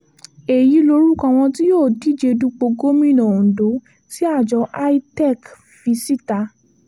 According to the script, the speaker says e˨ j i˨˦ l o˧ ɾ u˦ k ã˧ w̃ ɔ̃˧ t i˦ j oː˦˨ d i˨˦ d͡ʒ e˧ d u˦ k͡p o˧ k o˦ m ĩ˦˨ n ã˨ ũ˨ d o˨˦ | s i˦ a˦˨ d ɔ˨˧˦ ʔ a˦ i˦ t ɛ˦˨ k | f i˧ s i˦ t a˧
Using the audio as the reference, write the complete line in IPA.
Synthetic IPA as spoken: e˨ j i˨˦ l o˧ ɾ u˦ k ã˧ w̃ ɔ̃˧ t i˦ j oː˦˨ d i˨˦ d͡ʒ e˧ d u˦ k͡p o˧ ɡ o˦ m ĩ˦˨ n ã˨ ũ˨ d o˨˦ | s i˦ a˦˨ d͡ʒ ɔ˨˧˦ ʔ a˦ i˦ t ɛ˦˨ k | f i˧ s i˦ t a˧